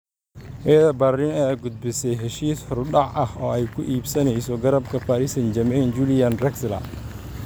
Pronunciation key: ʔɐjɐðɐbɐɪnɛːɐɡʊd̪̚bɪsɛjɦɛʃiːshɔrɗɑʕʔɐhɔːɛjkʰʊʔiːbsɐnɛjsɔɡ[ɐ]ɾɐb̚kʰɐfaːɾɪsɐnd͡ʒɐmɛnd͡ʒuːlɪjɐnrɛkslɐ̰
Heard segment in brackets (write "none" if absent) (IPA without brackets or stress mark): ɐ